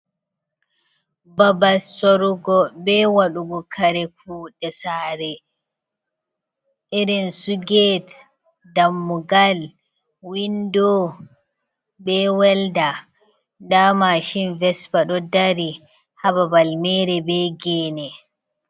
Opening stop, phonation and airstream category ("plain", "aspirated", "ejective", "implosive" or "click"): plain